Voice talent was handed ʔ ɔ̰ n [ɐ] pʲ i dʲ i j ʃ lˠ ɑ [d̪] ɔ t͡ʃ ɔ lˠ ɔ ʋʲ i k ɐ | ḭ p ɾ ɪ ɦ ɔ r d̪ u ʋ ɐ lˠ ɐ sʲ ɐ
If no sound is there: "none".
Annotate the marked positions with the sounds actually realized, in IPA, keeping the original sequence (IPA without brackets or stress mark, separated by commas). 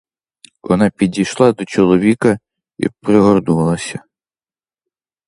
ɑ, d̪